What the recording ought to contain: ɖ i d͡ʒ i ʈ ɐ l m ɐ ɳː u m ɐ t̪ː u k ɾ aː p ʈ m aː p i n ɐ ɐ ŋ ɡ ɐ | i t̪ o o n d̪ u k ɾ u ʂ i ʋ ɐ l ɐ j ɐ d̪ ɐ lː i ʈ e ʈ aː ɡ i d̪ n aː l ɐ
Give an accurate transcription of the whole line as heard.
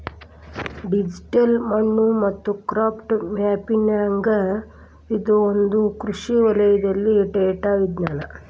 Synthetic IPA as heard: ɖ i d͡ʒ i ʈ ɐ l m ɐ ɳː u m ɐ t̪ː u k ɾ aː p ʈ m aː p i n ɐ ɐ ŋ ɡ ɐ | i d̪ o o n d̪ u k ɾ u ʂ i ʋ ɐ l ɐ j ɐ d̪ ɐ lː i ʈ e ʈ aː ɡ i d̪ n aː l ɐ